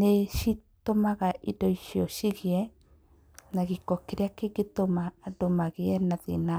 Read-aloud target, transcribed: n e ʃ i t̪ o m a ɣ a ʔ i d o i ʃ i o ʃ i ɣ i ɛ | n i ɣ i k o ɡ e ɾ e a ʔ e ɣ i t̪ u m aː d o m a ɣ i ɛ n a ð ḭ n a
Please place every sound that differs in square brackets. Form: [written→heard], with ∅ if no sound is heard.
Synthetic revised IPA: n e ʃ i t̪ o m a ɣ a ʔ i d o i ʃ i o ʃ i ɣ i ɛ | n [i→a] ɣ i k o [ɡ→k] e ɾ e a [ʔ→k] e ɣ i t̪ [u→o] m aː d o m a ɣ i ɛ n a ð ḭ n a